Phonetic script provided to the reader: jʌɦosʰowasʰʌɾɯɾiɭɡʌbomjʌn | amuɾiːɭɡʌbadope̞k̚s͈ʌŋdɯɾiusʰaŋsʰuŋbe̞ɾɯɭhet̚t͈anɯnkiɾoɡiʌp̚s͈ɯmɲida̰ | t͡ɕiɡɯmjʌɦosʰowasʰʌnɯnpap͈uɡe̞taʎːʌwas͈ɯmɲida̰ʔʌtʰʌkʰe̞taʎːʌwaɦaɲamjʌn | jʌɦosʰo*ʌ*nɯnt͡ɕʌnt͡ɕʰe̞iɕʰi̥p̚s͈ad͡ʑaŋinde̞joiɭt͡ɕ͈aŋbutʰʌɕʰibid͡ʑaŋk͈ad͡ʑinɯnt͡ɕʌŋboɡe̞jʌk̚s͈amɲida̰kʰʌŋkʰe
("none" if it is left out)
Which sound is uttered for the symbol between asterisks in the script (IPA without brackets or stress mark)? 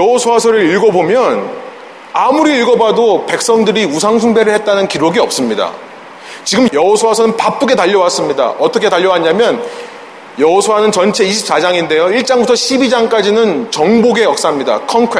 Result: a